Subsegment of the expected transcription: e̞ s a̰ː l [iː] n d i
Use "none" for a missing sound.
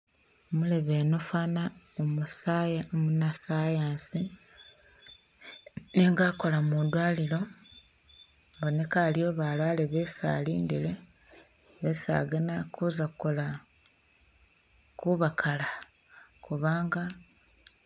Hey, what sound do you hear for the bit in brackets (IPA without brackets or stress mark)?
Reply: iː